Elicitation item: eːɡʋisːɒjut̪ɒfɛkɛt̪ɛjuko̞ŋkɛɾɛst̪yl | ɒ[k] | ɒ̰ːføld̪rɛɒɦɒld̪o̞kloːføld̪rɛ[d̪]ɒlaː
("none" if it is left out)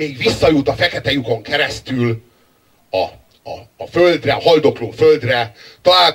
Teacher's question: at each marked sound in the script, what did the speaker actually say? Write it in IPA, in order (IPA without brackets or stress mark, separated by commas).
none, t̪